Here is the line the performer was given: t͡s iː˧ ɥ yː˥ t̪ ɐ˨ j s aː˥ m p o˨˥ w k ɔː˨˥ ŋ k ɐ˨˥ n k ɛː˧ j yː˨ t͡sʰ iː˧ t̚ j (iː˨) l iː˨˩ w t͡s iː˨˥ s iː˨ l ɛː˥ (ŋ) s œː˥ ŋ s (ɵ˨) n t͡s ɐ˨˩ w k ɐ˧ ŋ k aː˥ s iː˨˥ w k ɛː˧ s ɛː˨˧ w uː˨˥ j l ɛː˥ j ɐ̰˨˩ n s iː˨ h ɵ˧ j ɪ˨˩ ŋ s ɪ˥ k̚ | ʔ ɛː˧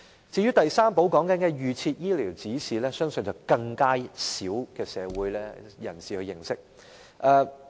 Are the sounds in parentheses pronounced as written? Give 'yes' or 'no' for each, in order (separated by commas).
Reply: no, no, yes